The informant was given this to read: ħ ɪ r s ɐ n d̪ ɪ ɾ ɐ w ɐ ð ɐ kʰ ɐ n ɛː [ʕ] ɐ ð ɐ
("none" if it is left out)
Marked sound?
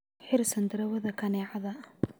ʕ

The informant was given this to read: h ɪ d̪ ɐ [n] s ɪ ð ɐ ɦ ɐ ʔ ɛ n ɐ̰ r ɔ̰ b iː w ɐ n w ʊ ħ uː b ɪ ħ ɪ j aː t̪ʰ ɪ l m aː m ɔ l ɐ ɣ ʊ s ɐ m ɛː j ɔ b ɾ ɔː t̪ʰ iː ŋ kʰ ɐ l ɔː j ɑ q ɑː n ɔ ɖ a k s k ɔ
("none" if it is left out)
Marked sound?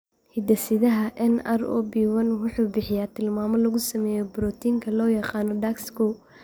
none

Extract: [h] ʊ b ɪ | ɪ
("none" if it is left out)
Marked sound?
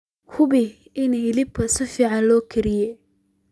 h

